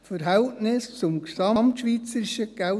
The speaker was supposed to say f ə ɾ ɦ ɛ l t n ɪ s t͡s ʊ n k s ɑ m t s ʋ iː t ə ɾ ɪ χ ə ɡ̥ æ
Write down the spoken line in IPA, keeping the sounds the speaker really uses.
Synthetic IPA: f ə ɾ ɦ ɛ l t n ɪ s t͡s ʊ m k s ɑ m t ʃ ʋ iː t͡s ə ɾ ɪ ʃ ə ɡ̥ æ